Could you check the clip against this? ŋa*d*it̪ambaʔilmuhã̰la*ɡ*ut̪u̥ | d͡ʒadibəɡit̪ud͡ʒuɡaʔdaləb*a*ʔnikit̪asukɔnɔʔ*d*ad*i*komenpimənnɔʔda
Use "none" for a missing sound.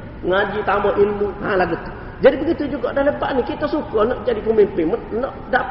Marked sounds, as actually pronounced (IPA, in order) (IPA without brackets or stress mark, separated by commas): d͡ʒ, ɡ, a, d͡ʒ, i